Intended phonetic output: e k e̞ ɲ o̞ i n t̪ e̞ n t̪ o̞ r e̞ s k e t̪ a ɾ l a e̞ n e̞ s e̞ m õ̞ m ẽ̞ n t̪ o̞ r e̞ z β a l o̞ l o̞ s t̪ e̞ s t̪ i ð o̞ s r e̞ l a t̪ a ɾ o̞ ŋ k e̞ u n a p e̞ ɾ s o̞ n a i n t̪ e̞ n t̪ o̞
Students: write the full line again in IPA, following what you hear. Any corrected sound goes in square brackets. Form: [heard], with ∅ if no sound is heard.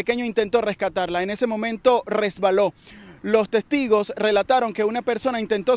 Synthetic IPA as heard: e k e̞ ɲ o̞ i n t̪ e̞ n t̪ o̞ r e̞ s k [a] t̪ a ɾ l a e̞ n e̞ s e̞ m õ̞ m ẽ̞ n t̪ o̞ r e̞ z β a l o̞ l o̞ s t̪ e̞ s t̪ i [ɣ] o̞ s r e̞ l a t̪ a ɾ o̞ ŋ k e̞ u n a p e̞ ɾ s o̞ n a i n t̪ e̞ n t̪ o̞